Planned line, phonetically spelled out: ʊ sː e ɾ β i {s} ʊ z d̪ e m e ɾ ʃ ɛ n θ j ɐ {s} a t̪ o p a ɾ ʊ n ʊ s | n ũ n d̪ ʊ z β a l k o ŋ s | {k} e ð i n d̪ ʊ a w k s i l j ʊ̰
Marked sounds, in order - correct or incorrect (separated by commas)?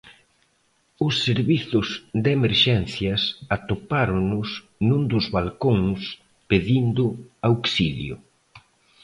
incorrect, correct, incorrect